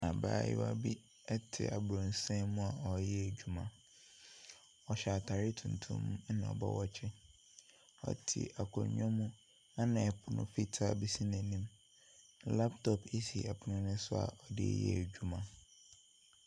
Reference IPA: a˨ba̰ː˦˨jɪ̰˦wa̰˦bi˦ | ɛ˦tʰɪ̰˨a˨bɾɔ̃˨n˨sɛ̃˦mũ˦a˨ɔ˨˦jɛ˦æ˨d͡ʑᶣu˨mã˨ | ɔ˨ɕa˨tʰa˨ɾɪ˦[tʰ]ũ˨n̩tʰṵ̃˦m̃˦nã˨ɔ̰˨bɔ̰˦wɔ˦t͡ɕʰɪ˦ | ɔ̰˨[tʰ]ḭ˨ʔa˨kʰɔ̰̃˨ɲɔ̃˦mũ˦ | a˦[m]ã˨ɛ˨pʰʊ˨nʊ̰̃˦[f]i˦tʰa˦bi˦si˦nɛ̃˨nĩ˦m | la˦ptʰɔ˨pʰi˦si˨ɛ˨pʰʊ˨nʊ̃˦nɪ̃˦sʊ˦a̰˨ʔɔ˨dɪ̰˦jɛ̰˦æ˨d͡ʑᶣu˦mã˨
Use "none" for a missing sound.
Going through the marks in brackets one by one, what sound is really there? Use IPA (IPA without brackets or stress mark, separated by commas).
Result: tʰ, tʰ, n, f